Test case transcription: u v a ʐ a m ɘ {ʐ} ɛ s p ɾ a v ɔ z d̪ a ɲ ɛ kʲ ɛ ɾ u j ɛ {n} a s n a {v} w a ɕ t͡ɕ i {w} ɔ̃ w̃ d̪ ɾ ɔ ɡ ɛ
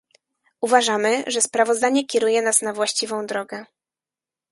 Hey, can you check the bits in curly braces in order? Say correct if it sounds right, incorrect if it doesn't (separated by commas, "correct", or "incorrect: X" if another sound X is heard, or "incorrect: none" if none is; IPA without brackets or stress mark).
correct, correct, correct, incorrect: v